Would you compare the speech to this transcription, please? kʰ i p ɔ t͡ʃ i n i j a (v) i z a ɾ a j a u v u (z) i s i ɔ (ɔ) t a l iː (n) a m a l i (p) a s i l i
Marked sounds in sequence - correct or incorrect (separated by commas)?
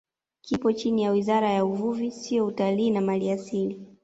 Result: incorrect, incorrect, incorrect, correct, incorrect